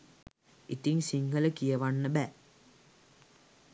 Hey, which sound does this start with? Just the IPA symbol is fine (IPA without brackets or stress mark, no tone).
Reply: i